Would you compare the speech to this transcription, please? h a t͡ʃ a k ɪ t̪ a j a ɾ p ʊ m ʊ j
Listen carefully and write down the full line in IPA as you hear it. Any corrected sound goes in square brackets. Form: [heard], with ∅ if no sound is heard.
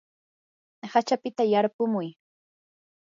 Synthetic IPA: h a t͡ʃ a [p] ɪ t̪ a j a ɾ p ʊ m ʊ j